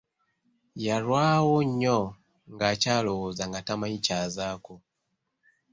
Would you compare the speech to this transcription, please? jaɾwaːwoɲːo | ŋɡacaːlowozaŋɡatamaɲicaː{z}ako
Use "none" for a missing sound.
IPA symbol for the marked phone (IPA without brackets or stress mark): z